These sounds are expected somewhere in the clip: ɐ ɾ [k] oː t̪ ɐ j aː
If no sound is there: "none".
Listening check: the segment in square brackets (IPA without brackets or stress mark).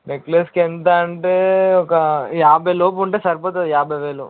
p